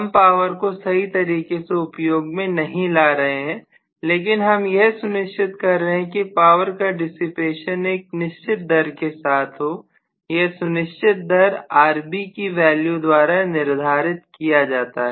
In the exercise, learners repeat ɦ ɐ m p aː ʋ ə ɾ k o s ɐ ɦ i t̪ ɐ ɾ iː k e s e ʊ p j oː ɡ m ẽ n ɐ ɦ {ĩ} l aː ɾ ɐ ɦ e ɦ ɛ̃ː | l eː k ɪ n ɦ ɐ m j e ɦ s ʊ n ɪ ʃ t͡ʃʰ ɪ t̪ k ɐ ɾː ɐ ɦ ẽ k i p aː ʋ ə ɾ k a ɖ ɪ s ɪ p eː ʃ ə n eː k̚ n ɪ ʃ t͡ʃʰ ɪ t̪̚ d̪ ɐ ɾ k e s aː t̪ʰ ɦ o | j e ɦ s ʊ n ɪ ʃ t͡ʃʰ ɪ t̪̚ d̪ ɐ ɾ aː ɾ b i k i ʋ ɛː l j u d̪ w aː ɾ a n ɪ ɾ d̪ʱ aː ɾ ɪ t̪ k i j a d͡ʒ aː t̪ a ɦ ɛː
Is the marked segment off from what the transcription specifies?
no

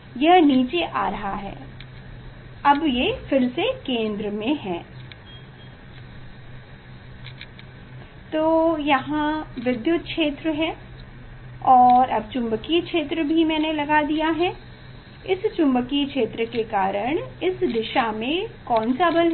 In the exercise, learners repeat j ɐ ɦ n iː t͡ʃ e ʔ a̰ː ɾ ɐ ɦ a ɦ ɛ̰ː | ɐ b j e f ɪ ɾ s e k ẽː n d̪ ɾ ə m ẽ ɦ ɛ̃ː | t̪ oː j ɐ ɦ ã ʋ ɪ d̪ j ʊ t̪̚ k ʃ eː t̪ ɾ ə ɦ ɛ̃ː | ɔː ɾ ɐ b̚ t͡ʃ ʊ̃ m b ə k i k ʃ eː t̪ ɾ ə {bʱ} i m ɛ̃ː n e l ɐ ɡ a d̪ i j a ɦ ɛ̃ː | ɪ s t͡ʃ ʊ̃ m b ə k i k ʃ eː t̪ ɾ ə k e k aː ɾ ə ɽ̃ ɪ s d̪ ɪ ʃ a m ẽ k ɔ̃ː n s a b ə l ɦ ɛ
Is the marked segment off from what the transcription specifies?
no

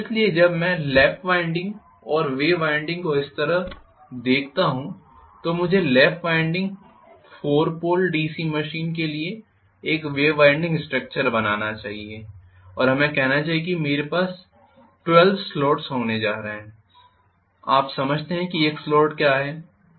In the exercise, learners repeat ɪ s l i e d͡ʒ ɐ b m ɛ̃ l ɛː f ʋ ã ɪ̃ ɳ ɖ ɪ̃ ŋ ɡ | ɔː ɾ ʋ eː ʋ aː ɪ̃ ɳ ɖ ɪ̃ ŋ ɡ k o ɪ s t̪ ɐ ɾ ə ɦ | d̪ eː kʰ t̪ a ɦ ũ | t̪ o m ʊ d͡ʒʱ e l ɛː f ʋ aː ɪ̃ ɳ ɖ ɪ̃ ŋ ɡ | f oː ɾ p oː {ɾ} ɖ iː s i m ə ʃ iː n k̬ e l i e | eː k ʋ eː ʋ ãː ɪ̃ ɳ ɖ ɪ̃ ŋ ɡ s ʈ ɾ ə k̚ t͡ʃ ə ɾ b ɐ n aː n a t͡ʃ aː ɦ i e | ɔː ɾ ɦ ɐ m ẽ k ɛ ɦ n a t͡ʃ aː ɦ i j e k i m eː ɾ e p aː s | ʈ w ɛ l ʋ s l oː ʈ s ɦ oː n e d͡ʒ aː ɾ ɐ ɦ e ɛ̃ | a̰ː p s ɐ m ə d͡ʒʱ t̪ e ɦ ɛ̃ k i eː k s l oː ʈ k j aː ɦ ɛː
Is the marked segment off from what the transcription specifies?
yes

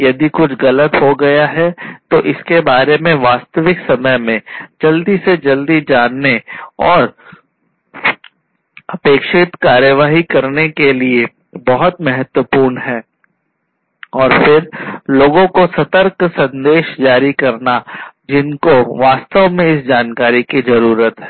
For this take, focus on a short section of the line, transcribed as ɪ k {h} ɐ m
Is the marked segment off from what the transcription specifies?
yes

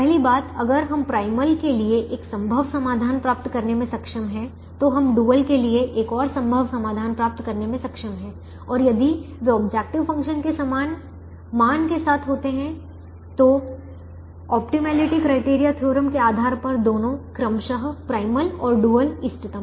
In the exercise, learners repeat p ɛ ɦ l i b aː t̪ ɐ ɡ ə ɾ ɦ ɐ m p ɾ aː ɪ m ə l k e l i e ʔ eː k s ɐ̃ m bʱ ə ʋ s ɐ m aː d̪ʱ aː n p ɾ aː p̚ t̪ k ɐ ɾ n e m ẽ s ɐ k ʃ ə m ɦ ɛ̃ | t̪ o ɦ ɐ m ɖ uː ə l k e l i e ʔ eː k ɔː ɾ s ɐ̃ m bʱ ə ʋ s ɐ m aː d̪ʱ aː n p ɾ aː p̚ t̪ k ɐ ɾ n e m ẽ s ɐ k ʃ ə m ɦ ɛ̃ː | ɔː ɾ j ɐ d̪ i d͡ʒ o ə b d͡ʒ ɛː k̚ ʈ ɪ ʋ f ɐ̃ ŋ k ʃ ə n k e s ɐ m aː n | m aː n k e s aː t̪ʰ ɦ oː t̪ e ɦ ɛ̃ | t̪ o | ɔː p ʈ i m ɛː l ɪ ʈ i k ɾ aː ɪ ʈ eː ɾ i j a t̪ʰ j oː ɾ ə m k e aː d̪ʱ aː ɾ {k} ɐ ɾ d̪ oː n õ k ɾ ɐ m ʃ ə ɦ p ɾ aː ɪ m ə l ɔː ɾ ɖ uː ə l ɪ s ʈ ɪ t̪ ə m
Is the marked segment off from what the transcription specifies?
yes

